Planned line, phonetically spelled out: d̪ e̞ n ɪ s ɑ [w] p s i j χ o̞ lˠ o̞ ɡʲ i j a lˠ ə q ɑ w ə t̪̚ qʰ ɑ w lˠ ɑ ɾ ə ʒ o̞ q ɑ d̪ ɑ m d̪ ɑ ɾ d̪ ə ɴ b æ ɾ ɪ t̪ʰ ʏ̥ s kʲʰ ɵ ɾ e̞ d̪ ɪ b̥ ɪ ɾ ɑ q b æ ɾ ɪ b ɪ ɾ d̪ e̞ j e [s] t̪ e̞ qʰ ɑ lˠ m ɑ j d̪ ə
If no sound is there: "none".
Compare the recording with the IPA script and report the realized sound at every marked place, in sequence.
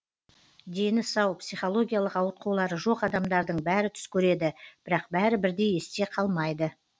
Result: w, s

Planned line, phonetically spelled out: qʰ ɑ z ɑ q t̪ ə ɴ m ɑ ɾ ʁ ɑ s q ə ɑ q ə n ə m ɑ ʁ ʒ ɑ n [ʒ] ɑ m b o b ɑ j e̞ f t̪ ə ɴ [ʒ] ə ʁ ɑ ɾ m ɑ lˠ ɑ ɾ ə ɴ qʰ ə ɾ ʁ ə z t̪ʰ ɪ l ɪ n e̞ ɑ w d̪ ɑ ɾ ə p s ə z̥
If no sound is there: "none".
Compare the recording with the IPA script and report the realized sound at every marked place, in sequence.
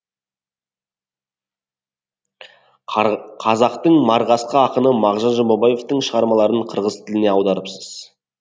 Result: ʒ, ʃ

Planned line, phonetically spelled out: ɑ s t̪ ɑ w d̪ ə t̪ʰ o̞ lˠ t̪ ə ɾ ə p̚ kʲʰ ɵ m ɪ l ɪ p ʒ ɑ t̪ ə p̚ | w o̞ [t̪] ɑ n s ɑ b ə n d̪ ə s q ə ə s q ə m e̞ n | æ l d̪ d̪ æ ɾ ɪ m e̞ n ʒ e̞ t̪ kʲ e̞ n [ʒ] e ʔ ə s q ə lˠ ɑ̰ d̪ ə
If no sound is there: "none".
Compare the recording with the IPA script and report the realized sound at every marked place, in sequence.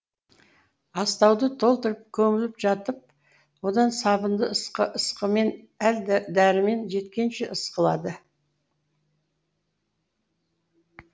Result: d̪, ʃ

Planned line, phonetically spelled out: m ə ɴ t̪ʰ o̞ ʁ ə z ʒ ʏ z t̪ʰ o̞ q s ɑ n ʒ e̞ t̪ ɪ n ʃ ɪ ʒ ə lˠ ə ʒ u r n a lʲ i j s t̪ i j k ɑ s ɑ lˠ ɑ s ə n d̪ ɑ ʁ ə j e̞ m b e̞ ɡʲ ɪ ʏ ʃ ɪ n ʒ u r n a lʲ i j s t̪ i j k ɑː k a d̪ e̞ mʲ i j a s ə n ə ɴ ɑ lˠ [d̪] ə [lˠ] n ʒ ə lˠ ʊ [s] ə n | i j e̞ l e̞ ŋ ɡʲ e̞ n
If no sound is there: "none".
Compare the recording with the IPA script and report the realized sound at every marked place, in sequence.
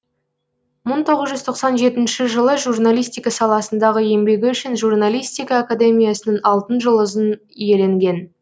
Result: t̪, none, z

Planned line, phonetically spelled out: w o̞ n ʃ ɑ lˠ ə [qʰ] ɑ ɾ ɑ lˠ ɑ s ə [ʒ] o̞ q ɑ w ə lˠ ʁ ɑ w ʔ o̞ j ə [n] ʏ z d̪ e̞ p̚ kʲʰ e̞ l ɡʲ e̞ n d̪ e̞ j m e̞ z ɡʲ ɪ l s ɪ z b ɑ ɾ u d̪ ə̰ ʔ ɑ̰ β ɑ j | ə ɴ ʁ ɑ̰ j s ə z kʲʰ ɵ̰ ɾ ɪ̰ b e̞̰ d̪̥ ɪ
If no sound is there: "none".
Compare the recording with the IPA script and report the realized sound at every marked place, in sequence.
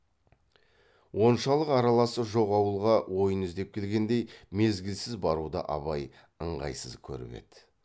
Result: q, ʒ, n

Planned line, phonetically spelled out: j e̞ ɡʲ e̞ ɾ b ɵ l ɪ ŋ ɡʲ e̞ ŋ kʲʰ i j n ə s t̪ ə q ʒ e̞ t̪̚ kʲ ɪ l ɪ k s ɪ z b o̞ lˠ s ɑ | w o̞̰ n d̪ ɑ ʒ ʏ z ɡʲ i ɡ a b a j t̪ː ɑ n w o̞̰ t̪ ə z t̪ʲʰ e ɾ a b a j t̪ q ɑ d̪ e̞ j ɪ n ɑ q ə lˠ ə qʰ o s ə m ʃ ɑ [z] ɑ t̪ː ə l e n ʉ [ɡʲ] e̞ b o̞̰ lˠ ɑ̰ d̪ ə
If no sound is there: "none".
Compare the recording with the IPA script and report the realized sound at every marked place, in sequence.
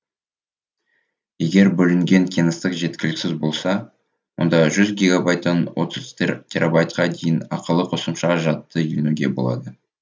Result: ʒ, ɡʲ

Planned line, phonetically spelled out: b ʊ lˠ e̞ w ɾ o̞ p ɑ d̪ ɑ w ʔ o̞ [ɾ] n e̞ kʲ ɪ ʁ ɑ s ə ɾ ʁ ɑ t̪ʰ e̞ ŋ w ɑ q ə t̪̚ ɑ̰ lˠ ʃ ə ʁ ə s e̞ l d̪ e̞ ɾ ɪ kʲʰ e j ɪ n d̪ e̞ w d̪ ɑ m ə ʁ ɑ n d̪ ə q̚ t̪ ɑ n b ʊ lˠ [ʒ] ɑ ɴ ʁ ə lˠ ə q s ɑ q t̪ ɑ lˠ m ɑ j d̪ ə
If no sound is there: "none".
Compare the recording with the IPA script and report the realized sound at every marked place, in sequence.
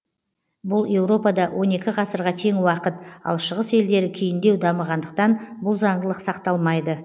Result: none, z

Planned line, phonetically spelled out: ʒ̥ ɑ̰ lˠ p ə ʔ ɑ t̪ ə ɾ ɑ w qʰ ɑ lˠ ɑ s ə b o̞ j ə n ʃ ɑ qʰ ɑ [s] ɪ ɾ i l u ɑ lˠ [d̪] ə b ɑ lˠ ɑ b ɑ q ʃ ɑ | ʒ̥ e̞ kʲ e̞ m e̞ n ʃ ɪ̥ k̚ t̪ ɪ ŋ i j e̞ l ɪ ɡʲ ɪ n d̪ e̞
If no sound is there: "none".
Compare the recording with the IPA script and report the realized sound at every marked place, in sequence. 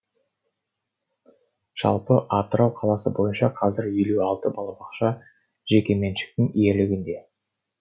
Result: z, t̪

